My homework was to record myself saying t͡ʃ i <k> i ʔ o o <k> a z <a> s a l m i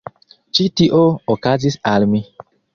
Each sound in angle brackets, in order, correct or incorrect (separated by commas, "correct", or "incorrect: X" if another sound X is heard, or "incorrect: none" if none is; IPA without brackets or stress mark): incorrect: t, correct, incorrect: i